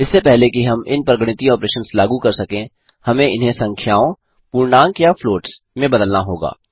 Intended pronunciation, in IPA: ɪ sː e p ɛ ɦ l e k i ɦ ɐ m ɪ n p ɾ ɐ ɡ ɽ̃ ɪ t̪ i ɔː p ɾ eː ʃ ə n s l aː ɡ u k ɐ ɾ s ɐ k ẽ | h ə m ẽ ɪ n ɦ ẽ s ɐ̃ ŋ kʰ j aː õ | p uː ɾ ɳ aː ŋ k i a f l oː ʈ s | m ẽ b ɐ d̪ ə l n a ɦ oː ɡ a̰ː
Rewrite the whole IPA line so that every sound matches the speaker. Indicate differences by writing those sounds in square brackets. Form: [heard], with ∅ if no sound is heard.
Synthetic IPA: ɪ sː e p ɛ ɦ l e k i ɦ ɐ m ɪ n p ɾ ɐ ɡ ɽ̃ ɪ t̪ i ɔː p ɾ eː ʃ ə n s l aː ɡ u k ɐ ɾ s ɐ k ẽ | h [ɐ] m ẽ ɪ n ɦ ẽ s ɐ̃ ŋ kʰ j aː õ | p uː ɾ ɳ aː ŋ k [j] a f l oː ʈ s | m ẽ b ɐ d̪ ə l n a ɦ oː ɡ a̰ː